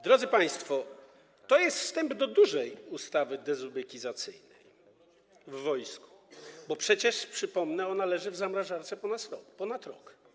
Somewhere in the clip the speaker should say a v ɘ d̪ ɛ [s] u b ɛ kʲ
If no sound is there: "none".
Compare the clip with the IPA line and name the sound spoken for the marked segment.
z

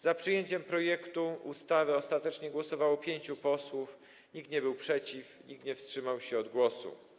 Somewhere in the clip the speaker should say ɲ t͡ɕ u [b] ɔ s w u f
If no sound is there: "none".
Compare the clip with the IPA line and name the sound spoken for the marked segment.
p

